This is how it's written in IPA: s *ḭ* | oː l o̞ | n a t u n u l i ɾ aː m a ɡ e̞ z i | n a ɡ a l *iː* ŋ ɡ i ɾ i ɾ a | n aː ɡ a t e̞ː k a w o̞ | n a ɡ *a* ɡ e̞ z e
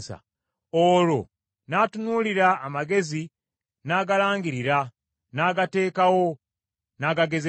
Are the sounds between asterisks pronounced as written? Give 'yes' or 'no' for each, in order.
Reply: no, no, yes

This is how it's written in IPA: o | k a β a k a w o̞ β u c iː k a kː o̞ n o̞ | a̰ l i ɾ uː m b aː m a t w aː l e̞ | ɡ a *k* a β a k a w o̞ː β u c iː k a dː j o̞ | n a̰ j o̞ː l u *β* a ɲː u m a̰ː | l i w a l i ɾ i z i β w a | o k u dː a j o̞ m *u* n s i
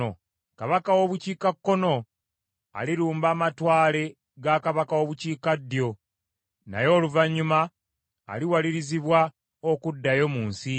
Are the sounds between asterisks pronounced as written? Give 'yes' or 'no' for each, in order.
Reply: yes, no, no

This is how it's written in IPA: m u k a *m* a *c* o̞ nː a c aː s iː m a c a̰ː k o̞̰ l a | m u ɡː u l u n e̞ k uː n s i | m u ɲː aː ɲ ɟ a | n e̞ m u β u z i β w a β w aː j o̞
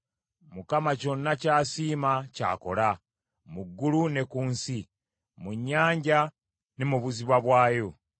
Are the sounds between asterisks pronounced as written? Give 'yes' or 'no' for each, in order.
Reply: yes, yes

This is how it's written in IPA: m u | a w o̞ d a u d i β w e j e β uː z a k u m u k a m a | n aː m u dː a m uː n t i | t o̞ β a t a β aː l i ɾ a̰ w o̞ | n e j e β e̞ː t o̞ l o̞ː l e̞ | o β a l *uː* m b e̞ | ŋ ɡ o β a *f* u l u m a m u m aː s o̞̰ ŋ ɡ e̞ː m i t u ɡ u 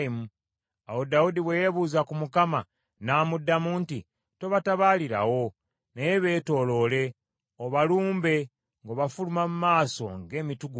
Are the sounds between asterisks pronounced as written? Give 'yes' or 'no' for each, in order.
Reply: yes, yes

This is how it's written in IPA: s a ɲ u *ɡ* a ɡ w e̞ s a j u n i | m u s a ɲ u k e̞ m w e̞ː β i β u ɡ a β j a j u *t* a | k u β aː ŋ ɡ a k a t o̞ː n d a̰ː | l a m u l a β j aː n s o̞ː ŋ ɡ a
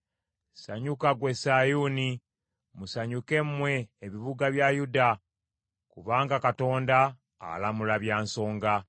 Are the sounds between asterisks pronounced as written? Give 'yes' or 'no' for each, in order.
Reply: no, no

